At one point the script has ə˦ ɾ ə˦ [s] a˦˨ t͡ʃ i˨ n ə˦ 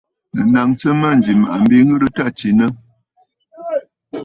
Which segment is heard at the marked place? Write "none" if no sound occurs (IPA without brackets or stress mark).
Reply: t